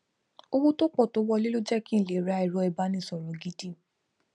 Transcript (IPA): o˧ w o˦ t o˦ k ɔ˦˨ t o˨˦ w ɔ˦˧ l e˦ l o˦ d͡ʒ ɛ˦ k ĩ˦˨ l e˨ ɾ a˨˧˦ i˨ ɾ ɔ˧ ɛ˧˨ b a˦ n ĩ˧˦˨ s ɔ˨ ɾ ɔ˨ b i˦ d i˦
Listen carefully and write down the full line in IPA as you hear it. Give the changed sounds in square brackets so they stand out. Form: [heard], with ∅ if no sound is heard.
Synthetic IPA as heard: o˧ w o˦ t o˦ [k͡p] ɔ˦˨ t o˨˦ w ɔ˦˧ l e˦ l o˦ d͡ʒ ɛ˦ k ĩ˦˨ l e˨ ɾ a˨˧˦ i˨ ɾ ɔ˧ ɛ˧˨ b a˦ n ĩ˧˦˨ s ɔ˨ ɾ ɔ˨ [ɡ] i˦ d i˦